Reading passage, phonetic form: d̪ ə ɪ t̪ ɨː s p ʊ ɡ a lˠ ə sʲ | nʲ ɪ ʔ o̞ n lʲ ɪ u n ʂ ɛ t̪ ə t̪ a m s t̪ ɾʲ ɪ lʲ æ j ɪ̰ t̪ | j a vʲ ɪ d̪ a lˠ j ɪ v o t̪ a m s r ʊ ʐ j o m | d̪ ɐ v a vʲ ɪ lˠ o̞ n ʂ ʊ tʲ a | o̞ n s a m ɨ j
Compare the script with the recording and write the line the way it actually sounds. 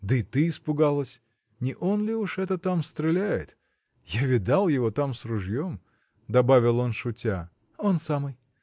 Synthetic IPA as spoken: d̪ ə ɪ t̪ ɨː s p ʊ ɡ a lˠ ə sʲ | nʲ ɪ ʔ o̞ n lʲ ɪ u ʂ ɛ t̪ ə t̪ a m s t̪ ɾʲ ɪ lʲ æ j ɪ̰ t̪ | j a vʲ ɪ d̪ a lˠ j ɪ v o t̪ a m s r ʊ ʐ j o m | d̪ ɐ b a vʲ ɪ lˠ o̞ n ʂ ʊ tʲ a | o̞ n s a m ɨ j